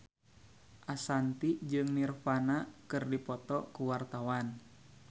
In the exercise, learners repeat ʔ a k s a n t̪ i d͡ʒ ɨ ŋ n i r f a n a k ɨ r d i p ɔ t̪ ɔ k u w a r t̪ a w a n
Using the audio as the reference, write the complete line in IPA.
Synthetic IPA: ʔ a s a n t̪ i d͡ʒ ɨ ŋ n i r f a n a k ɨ r d i p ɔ t̪ ɔ k u w a r t̪ a w a n

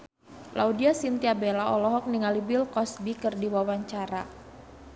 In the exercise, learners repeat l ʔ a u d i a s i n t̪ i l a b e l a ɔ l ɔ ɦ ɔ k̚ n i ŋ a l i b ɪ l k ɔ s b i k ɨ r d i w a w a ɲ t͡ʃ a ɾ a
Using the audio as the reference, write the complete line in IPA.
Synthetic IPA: l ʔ a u d i a s i n t̪ i a b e l a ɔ l ɔ ɦ ɔ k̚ n i ŋ a l i b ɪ l k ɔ s b i k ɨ r d i w a w a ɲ t͡ʃ a ɾ a

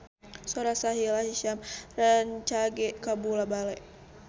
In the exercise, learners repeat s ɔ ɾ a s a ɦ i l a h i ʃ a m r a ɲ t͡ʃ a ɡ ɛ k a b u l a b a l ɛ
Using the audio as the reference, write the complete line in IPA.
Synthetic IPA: s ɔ ɾ a s a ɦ i l a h i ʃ a m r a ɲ t͡ʃ a ɡ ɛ k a b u l a b a l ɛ

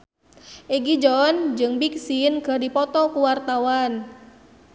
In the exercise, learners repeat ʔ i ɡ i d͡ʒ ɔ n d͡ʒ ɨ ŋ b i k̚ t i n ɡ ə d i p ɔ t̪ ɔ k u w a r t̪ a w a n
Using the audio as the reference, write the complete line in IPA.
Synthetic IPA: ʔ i ɡ i d͡ʒ ɔ n d͡ʒ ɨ ŋ b i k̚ s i n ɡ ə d i p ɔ t̪ ɔ k u w a r t̪ a w a n

